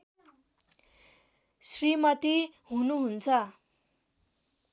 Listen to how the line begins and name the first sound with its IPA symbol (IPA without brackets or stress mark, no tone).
s